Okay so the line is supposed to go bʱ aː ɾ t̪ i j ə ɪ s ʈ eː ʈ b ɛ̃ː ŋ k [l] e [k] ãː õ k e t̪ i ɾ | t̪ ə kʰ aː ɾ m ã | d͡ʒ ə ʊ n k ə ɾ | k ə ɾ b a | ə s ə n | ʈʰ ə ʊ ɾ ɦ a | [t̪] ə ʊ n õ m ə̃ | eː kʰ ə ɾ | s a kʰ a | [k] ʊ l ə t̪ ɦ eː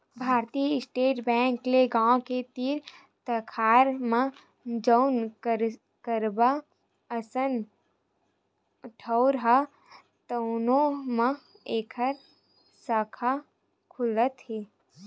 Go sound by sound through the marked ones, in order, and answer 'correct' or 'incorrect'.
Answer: correct, incorrect: ɡ, correct, incorrect: kʰ

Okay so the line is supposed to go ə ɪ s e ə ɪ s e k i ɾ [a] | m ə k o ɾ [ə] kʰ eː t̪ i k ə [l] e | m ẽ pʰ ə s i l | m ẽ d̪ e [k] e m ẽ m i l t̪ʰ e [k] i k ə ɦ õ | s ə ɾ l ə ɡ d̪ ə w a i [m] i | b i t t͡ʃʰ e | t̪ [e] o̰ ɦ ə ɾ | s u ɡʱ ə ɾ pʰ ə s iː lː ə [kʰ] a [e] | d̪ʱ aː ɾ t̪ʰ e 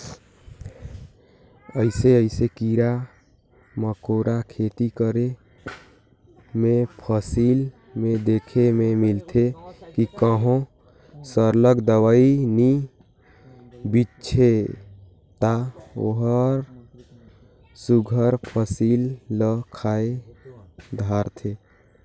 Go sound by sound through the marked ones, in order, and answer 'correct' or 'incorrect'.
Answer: correct, incorrect: a, incorrect: ɾ, incorrect: kʰ, correct, incorrect: n, incorrect: a, correct, correct

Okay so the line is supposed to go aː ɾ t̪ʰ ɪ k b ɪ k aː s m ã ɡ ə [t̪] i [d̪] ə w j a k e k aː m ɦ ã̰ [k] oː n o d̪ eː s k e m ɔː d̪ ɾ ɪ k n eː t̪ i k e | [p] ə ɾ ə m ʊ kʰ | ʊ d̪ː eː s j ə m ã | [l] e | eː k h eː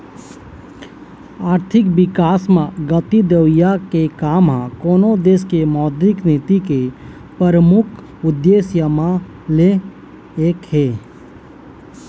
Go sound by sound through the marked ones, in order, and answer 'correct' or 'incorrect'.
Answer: correct, correct, correct, correct, correct

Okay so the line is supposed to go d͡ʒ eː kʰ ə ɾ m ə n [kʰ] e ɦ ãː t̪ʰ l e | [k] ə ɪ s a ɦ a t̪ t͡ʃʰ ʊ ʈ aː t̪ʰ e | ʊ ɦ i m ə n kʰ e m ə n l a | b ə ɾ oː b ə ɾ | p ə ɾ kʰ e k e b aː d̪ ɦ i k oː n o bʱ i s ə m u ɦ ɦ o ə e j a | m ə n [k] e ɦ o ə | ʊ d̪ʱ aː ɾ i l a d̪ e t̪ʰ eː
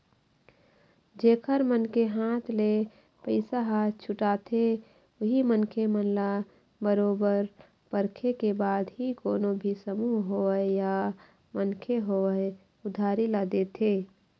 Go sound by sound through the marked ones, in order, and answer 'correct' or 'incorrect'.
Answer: incorrect: k, incorrect: p, incorrect: kʰ

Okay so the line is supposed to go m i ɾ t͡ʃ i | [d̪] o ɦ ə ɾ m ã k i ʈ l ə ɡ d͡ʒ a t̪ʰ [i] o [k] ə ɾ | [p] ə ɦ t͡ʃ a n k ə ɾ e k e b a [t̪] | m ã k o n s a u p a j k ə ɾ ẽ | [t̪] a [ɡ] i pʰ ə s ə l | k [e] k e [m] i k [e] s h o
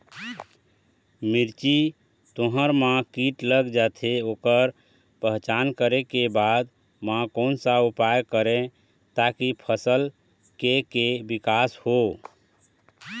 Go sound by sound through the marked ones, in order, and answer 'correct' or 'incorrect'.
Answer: incorrect: t̪, incorrect: e, correct, correct, incorrect: d̪, correct, incorrect: k, correct, incorrect: b, incorrect: a

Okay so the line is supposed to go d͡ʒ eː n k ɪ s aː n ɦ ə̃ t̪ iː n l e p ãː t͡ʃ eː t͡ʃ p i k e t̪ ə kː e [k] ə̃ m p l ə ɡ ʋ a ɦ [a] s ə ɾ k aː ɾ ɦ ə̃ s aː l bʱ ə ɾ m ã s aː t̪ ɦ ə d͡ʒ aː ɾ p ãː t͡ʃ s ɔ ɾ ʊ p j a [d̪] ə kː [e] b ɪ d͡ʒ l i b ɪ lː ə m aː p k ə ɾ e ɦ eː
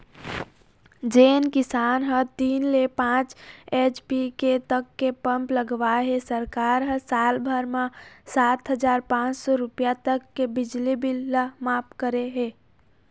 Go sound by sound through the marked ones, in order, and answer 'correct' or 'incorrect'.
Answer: incorrect: p, incorrect: e, incorrect: t̪, correct

